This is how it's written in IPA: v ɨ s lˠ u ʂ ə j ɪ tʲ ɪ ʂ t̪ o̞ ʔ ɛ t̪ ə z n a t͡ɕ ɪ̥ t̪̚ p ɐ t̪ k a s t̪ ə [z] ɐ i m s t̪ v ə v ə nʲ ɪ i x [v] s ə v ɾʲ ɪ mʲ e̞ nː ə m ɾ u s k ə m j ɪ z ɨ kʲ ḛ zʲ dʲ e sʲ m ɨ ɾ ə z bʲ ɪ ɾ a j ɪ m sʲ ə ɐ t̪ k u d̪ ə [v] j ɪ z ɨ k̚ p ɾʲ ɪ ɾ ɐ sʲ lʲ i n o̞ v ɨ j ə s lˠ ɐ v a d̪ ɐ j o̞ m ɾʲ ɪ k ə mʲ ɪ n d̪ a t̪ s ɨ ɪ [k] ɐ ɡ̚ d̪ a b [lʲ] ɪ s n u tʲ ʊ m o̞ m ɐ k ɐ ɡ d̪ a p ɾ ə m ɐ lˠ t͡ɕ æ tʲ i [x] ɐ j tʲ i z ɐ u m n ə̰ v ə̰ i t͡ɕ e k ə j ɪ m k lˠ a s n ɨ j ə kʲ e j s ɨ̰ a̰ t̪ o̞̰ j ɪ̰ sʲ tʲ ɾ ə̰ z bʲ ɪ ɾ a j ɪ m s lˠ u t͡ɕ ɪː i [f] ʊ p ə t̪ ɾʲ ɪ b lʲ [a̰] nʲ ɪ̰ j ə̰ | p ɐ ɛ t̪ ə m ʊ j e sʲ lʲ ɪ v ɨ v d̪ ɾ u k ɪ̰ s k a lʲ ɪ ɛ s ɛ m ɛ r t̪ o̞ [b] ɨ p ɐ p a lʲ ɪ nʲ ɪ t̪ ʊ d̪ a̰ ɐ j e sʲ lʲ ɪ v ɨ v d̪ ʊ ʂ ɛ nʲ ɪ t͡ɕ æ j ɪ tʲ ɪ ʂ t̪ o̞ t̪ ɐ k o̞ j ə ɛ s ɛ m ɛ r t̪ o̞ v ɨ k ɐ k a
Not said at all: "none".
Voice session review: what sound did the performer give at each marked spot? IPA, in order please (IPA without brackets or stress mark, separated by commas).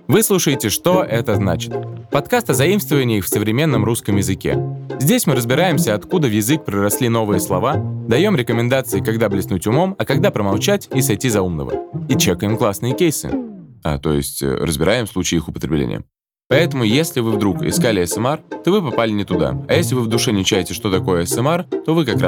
z, f, v, k, lʲ, s, x, ḛ, v